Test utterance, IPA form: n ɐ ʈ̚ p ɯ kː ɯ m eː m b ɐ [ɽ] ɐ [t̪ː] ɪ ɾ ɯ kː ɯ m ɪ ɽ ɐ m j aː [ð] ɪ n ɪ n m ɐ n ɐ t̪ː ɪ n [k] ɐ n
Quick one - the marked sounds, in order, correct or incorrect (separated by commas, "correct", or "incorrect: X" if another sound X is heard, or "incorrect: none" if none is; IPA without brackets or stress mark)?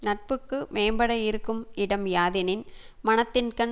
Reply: correct, incorrect: none, correct, correct